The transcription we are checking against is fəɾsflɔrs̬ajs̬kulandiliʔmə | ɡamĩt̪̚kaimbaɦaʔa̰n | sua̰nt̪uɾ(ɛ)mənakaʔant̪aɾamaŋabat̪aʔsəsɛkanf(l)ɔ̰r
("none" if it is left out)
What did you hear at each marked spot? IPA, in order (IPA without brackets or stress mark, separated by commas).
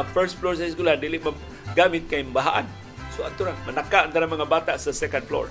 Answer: a, l